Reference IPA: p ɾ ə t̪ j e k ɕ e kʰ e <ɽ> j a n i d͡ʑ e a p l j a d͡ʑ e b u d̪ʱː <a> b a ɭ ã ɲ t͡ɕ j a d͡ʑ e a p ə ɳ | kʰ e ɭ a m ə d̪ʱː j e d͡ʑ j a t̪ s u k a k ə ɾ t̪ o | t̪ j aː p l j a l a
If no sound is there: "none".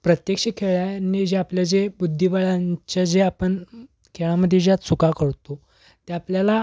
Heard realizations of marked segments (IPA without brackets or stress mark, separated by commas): ɭ, i